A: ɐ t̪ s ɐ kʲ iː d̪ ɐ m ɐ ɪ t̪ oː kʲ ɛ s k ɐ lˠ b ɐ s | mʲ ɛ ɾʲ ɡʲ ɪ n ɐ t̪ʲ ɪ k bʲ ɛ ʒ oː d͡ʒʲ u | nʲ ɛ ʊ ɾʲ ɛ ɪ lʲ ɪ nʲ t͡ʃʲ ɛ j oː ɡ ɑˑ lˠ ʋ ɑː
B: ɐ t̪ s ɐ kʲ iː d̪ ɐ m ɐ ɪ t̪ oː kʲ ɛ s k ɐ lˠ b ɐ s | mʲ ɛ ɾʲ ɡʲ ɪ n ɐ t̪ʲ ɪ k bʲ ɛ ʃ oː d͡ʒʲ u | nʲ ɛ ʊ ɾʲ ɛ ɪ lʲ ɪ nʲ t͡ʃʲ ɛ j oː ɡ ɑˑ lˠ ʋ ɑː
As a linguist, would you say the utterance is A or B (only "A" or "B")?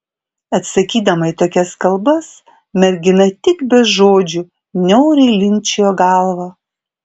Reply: A